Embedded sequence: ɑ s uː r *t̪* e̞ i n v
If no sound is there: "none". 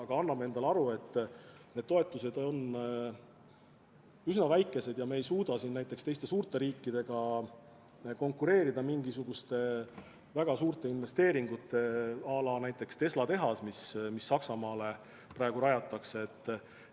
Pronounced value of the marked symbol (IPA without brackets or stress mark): t̪